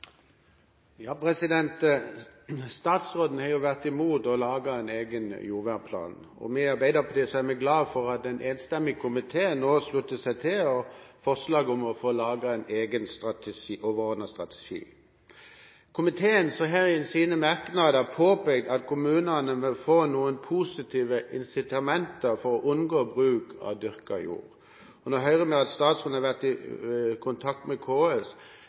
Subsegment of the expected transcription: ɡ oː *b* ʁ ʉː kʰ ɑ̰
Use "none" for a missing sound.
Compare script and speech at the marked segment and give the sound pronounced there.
b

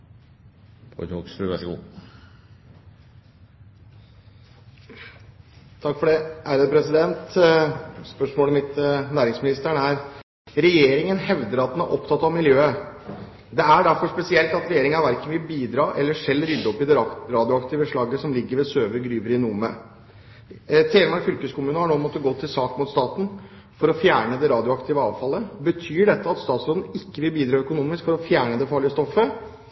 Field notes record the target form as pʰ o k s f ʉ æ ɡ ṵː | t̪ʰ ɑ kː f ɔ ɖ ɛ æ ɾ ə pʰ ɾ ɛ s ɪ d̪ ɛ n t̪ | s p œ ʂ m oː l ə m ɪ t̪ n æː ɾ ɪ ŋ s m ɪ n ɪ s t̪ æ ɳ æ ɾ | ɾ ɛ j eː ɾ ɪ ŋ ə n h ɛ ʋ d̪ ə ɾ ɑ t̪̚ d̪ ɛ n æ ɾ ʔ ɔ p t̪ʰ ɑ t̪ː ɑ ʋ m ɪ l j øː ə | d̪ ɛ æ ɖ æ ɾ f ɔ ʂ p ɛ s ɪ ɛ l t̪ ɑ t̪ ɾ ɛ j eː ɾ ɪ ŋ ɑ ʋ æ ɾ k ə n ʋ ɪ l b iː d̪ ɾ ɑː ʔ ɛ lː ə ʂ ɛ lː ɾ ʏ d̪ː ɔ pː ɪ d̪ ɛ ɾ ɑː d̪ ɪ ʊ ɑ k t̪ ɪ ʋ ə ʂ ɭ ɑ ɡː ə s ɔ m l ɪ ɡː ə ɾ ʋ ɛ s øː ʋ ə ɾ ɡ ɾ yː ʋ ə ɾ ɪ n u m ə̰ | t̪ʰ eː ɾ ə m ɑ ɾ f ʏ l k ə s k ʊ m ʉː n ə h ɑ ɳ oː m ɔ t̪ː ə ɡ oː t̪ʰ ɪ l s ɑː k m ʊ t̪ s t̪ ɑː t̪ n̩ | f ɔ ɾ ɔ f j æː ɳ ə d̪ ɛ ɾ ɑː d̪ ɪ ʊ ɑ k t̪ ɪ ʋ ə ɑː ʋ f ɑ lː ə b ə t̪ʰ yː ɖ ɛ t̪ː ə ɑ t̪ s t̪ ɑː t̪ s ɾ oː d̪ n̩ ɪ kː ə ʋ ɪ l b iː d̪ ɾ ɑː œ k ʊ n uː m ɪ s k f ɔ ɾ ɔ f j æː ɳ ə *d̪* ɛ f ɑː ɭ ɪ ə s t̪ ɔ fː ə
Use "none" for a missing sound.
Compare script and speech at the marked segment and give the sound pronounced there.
d̪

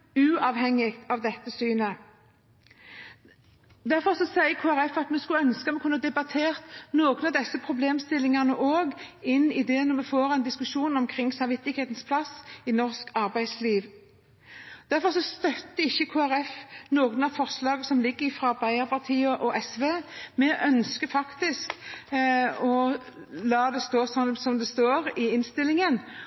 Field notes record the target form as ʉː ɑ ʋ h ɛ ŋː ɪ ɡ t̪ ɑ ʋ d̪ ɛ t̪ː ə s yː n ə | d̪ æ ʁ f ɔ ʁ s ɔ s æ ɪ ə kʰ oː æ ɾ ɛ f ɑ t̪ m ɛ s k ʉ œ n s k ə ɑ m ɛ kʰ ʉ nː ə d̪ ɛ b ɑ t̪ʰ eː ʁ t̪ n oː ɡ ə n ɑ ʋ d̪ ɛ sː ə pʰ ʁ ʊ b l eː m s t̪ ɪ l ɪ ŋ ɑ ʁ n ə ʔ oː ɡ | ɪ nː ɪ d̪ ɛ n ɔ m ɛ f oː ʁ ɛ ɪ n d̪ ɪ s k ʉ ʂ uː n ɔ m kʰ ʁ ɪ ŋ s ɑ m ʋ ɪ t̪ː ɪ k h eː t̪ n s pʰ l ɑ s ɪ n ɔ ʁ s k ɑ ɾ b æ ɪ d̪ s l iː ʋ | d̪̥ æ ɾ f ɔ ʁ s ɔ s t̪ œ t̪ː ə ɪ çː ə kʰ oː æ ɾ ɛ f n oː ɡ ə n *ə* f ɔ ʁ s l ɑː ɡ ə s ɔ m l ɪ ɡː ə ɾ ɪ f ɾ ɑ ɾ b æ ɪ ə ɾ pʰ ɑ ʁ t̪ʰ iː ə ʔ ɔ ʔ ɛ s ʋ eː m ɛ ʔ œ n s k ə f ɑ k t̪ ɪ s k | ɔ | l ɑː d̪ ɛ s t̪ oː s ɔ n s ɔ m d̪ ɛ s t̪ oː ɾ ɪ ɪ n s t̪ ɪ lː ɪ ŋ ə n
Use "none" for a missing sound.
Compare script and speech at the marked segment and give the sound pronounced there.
ɑ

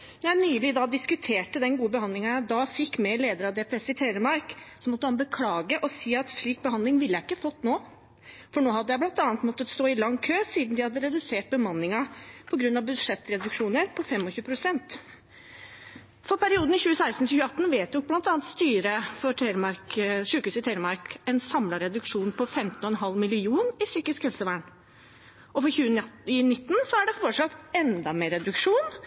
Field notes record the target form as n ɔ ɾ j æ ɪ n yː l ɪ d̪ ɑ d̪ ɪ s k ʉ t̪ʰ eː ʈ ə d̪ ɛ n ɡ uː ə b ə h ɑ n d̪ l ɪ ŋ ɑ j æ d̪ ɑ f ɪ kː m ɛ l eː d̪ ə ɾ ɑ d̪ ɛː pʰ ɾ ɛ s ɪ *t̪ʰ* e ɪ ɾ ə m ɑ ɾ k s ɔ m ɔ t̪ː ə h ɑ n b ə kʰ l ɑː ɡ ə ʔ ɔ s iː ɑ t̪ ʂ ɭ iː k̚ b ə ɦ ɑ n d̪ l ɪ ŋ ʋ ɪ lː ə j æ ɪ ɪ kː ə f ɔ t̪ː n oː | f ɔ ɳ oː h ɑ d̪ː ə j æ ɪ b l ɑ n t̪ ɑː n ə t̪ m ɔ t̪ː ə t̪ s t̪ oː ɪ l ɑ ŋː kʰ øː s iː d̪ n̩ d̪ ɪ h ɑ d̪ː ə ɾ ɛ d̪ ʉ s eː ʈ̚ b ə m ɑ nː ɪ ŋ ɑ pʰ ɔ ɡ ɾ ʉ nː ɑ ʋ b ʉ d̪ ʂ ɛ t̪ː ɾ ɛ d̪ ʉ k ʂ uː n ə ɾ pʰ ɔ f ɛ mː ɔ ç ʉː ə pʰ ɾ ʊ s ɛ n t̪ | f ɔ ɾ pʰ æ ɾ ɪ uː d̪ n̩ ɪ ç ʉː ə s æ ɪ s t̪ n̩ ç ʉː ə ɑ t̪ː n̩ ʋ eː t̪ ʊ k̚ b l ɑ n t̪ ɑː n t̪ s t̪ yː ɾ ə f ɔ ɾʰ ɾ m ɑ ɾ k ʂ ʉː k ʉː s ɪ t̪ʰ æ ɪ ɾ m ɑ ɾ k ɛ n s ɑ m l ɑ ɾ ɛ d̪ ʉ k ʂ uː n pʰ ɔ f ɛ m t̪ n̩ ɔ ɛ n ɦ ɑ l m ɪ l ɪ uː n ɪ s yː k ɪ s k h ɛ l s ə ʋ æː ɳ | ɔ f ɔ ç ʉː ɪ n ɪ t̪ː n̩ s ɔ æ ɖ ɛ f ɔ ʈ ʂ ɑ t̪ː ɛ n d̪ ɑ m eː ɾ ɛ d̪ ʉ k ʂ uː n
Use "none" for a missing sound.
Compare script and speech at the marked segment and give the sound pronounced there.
t̪ʰ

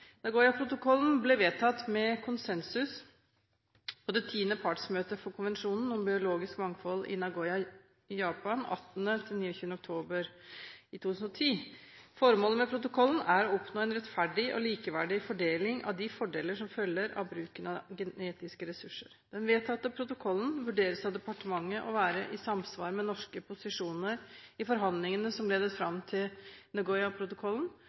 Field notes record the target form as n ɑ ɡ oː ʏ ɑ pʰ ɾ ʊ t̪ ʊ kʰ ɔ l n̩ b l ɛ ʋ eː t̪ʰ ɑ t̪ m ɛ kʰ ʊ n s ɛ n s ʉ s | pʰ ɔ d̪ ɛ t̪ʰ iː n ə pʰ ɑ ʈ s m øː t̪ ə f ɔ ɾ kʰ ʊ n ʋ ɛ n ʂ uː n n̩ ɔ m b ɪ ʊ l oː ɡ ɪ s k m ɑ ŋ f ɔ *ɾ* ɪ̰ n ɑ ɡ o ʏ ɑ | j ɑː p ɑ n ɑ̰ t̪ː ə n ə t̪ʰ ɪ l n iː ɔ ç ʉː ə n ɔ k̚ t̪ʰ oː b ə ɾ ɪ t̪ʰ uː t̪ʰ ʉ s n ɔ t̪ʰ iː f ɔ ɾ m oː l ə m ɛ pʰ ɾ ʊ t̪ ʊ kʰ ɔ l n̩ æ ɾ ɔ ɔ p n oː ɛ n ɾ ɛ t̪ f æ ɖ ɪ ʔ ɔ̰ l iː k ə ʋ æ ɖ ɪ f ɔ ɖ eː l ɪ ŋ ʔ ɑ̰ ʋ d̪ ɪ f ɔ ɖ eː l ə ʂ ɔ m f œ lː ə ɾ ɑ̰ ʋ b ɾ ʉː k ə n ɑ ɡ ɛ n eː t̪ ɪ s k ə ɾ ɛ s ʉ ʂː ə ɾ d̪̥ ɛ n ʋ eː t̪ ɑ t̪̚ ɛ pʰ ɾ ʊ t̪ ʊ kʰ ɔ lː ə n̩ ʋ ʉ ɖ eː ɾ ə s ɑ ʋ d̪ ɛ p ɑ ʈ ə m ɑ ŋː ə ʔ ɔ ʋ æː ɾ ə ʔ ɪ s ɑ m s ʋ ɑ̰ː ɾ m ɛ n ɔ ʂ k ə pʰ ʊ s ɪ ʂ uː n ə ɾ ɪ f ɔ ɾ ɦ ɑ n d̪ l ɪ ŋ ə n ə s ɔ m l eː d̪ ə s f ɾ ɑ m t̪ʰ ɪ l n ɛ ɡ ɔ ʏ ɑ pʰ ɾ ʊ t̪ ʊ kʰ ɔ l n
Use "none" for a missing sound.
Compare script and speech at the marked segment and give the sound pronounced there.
l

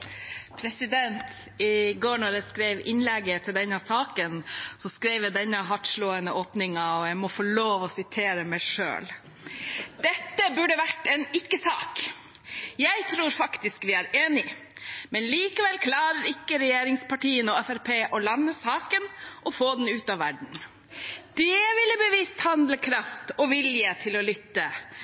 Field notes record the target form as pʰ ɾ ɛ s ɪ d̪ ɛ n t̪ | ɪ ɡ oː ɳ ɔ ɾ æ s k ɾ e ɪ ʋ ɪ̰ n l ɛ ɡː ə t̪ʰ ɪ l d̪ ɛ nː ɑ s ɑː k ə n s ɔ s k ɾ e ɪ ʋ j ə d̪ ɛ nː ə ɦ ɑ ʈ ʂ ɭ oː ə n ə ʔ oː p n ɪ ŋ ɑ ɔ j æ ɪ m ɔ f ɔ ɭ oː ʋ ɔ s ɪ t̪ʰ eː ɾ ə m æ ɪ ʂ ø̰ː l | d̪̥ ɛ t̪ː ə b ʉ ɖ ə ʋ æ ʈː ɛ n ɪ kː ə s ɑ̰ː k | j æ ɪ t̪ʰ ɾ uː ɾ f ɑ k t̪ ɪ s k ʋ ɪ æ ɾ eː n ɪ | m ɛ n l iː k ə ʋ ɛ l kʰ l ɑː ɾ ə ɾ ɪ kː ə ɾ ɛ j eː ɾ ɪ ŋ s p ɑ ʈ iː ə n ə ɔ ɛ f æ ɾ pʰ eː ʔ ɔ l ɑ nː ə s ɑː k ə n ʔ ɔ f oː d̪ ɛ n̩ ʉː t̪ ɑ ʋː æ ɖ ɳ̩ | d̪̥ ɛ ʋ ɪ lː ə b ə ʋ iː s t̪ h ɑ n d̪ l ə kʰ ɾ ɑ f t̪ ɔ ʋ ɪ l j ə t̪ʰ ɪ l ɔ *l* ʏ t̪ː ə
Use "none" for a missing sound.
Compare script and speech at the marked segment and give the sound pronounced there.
l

